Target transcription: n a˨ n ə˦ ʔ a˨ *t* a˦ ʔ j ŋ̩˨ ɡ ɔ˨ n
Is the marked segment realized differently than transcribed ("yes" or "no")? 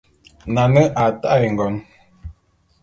no